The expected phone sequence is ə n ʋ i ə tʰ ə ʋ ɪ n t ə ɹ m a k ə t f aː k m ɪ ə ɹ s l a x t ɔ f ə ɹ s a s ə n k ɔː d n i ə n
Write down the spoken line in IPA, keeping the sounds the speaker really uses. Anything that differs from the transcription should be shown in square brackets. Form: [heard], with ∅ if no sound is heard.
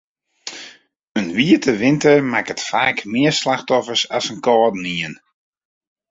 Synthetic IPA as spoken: ə n ʋ i ə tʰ ə ʋ ɪ n t ə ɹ m a k ə t f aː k m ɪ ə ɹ s l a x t ɔ f ə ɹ s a s ə n k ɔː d n i ə n